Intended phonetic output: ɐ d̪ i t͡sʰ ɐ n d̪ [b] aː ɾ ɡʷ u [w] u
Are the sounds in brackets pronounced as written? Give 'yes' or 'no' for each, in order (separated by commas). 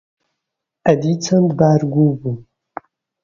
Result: yes, no